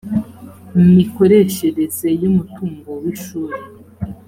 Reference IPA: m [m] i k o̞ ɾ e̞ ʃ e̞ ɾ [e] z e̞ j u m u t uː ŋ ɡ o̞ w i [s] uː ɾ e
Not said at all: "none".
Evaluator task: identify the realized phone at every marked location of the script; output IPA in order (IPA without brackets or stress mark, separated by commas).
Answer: m, e, ʃ